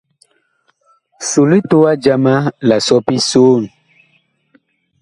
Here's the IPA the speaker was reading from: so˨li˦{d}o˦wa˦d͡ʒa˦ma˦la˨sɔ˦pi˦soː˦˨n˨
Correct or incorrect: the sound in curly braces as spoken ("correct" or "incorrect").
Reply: incorrect